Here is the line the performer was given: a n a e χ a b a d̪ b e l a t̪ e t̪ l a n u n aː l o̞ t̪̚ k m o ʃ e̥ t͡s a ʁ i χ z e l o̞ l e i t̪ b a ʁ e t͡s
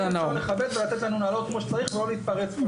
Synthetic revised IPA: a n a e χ a b e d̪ v e l a t̪ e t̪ l a n u n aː l o̞ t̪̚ k m o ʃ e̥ t͡s a ʁ i χ v e l o̞ l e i t̪ p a ʁ e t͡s

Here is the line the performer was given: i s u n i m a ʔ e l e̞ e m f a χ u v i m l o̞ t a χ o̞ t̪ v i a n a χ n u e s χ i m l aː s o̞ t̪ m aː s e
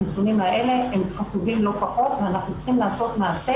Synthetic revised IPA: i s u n i m a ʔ e l e̞ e m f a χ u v i m l o̞ p a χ o̞ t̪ v e a n a χ n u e t͡s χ i m l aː s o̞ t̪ m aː s e

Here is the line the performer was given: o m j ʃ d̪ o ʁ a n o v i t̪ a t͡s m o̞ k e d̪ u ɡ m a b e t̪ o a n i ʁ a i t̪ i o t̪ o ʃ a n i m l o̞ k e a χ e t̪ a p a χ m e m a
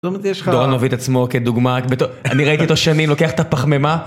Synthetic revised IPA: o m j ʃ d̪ o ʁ a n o v i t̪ a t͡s m o̞ k e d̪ u ɡ m a b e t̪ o a n i ʁ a i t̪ i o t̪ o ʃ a n i m l o̞ k e a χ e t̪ a p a χ m e m a

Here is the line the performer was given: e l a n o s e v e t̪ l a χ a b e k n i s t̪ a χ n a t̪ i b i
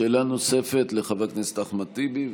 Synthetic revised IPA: e l a n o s e f e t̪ l e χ a v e k n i s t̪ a χ m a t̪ i b i

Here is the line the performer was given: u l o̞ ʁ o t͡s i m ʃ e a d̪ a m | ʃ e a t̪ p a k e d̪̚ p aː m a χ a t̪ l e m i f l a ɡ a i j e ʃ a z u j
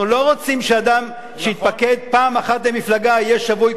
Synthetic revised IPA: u l o̞ ʁ o t͡s i m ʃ e a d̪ a m | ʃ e i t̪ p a k e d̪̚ p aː m a χ a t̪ l e m i f l a ɡ a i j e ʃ a v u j

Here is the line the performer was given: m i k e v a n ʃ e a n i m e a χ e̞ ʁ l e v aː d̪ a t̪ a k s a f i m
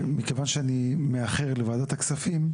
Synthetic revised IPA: m i k e v a n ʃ e a n i m e a χ e̞ ʁ l e v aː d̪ a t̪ a k s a f i m

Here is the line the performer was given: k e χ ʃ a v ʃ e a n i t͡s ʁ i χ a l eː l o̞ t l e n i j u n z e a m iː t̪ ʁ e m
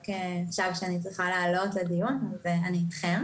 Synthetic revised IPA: k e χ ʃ a v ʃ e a n i t͡s ʁ i χ a l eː l o̞ t l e d i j u n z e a n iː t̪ χ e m

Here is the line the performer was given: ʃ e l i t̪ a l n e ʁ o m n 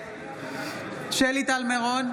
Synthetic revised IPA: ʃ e l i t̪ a l m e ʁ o n

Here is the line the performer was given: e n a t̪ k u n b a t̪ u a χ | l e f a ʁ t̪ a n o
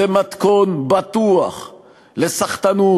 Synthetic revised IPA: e m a t̪ k o n b a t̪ u a χ | l e s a χ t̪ a n u

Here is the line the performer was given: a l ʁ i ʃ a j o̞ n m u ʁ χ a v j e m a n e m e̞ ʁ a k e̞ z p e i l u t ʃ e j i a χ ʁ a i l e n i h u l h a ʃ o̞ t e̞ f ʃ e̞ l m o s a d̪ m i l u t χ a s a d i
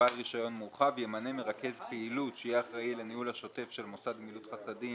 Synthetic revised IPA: a l ʁ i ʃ a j o̞ n m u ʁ χ a v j e m a n e m e̞ ʁ a k e̞ z p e i l u t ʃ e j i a χ ʁ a i l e n i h u l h a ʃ o̞ t e̞ f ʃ e̞ l m o s a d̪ m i l u t χ a s a d i

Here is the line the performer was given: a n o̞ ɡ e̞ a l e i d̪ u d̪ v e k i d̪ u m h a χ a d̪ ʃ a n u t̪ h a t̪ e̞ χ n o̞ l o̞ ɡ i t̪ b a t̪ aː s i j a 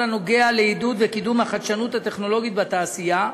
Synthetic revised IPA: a n o̞ ɡ e̞ a l e i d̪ u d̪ v e k i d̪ u m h a χ a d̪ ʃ a n u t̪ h a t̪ e̞ χ n o̞ l o̞ ɡ i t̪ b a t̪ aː s i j a

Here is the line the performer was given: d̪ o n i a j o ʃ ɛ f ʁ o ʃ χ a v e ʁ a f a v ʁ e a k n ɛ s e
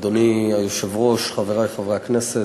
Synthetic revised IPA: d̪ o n i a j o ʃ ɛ v ʁ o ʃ χ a v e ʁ a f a v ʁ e a k n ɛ s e

